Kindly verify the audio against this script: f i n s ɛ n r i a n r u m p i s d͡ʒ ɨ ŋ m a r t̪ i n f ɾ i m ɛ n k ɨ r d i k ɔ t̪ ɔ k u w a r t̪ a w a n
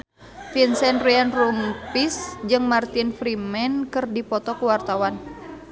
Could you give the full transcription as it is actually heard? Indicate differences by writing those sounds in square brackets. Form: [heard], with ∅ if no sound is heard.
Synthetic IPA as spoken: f i n s ɛ n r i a n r u m p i s d͡ʒ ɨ ŋ m a r t̪ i n f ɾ i m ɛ n k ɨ r d i [p] ɔ t̪ ɔ k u w a r t̪ a w a n

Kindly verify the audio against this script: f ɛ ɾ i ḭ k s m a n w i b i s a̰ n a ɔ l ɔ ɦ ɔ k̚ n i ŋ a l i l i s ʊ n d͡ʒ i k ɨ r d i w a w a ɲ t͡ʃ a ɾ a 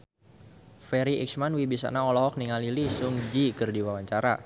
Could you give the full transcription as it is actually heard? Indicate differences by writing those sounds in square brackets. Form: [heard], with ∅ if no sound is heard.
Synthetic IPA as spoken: f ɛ ɾ i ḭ k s m a n w i b i s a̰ n a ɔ l ɔ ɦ ɔ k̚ n i ŋ a l i l i s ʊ [ŋ] d͡ʒ i k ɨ r d i w a w a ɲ t͡ʃ a ɾ a

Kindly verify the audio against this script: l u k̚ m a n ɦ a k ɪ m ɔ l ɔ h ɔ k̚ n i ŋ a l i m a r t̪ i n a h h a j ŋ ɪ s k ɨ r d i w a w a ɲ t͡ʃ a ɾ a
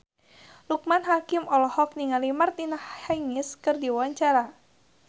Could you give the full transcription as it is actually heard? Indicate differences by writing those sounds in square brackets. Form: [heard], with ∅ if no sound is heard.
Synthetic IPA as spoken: l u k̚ m a n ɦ a k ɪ m ɔ l ɔ h ɔ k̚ n i ŋ a l i m a r t̪ i n a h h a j ŋ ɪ s k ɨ r d i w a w a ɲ t͡ʃ a ɾ a

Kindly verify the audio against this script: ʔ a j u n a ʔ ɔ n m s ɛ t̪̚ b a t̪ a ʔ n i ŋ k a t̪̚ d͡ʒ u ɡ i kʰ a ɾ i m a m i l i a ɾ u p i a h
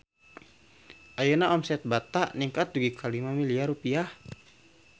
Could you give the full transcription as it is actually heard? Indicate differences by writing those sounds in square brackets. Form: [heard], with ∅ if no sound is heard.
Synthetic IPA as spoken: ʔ a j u n a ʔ ɔ [∅] m s ɛ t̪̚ b a t̪ a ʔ n i ŋ k a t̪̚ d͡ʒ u ɡ i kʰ a [l] i m a m i l i a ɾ u p i a h

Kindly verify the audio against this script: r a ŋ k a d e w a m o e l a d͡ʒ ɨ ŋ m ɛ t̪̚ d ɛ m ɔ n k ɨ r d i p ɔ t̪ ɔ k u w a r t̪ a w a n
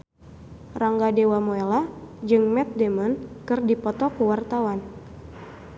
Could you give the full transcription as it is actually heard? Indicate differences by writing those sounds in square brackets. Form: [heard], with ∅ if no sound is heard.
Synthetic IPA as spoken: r a ŋ [ɡ] a d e w a m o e l a d͡ʒ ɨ ŋ m ɛ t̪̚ d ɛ m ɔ n k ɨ r d i p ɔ t̪ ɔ k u w a r t̪ a w a n

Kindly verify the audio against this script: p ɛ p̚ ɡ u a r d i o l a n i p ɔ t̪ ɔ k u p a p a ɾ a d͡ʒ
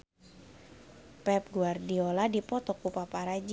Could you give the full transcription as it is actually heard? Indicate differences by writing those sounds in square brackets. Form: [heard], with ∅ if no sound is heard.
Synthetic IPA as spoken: p ɛ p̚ ɡ u a r d i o l a [d] i p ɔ t̪ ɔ k u p a p a ɾ a d͡ʒ

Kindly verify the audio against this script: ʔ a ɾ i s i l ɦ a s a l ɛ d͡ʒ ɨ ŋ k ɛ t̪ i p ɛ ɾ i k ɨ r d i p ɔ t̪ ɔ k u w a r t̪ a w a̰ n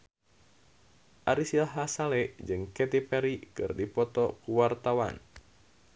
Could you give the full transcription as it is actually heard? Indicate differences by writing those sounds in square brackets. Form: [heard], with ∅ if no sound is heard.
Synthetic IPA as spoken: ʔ a ɾ i s i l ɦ a s a l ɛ d͡ʒ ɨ ŋ k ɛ t̪ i p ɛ ɾ i k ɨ r d i p ɔ t̪ ɔ k u w a r t̪ a w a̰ n

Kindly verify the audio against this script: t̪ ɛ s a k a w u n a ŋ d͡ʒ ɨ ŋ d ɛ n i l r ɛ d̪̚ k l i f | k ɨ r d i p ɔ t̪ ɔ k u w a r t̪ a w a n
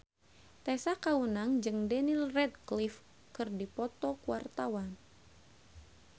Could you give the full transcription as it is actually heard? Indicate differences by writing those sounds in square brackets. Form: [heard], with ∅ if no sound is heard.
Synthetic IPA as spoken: t̪ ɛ s a k a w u n a ŋ d͡ʒ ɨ ŋ d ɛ n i l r ɛ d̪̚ k l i f | k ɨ r d i p ɔ t̪ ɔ k u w a r t̪ a w a n

